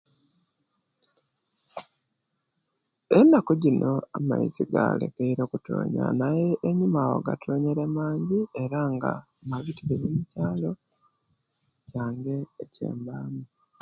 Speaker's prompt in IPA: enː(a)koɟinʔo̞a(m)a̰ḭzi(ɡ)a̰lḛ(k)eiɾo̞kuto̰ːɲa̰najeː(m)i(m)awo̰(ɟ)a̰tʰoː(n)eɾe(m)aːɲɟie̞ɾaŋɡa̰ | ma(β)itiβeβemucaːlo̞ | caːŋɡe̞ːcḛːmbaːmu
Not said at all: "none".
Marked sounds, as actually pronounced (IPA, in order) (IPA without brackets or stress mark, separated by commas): a, m, ɡ, k, ɲ, m, ɡ, ɲ, m, β